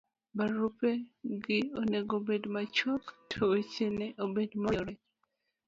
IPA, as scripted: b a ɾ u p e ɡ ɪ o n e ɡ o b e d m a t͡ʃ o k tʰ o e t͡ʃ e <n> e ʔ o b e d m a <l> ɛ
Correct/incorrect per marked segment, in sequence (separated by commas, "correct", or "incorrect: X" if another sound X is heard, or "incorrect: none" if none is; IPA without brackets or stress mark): correct, incorrect: ɾ